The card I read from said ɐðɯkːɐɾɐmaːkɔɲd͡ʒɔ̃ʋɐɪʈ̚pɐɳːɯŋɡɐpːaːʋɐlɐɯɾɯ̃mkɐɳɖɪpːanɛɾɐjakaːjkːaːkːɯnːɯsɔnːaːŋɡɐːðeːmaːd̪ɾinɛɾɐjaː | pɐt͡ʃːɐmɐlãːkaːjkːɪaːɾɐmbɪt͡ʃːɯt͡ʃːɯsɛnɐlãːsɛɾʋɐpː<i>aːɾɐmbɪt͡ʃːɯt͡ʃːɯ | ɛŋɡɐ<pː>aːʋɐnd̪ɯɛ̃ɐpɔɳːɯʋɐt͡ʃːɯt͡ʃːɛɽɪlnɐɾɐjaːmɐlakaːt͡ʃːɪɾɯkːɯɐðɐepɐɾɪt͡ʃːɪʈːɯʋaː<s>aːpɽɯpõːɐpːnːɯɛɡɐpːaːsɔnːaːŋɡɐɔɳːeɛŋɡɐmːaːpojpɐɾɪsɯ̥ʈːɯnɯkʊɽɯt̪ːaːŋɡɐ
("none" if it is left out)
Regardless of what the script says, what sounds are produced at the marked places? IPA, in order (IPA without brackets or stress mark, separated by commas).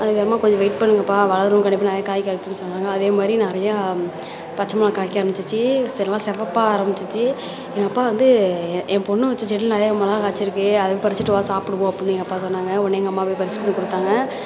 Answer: a, pː, s